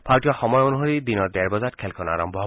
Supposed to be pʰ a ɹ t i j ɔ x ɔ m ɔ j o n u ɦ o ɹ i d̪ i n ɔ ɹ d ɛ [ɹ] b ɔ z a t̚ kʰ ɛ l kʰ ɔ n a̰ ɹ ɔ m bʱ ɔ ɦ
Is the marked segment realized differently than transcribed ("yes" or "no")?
no